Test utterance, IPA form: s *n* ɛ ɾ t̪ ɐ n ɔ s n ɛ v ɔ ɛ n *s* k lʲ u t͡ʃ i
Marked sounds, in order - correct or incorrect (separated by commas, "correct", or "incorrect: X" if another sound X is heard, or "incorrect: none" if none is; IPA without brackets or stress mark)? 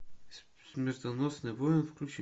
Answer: incorrect: m, incorrect: f